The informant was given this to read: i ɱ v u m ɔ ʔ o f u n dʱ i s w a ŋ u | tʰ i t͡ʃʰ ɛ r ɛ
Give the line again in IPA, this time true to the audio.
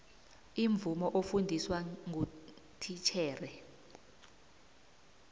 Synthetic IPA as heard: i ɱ v u m ɔ ʔ o f u n dʱ i s w a ŋ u | tʰ i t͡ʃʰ ɛː r ɛ